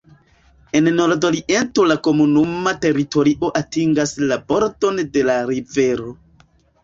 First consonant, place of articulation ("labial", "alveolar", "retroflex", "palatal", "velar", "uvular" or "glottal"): alveolar